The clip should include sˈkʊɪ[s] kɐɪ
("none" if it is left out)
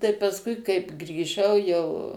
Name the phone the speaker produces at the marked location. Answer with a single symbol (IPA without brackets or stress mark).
none